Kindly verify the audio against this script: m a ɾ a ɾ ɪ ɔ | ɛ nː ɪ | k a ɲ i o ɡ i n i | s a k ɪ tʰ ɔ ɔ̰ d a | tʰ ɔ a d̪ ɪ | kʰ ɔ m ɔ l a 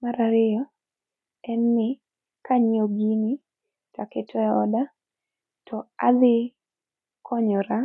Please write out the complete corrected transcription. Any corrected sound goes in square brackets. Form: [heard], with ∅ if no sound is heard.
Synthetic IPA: m a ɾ a ɾ ɪ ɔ | ɛ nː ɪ | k a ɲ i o ɡ i n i | [t] a k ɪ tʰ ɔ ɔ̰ d a | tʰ ɔ a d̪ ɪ | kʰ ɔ [ɲ] ɔ [ɾ] a